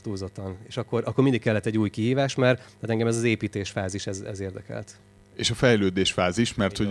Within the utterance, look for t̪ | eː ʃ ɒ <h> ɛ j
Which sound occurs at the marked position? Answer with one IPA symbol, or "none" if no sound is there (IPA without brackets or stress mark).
f